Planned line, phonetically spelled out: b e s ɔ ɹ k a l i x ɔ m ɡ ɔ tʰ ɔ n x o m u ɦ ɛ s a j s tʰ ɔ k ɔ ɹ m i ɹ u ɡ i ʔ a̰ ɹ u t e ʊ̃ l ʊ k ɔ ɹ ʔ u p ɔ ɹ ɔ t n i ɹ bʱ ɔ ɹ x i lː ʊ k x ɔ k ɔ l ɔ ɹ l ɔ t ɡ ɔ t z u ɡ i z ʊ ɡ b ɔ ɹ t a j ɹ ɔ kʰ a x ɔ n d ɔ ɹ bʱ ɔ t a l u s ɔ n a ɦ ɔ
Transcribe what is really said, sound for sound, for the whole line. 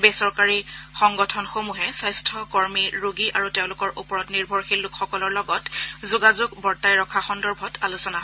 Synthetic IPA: b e s ɔ ɹ k a ɹ i x ɔ ŋ ɡ ɔ tʰ ɔ n x o m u ɦ ɛ s a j s tʰ ɔ k ɔ ɹ m i ɹ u ɡ i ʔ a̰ ɹ u t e ʊ̃ l ʊ k ɔ ɹ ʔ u p ɔ ɹ ɔ t n i ɹ bʱ ɔ ɹ x i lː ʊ k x ɔ k ɔ l ɔ ɹ l ɔ ɡ ɔ t z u ɡ a z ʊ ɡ b ɔ ɹ t a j ɹ ɔ kʰ a x ɔ n d ɔ ɹ bʱ ɔ t a l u s ɔ n a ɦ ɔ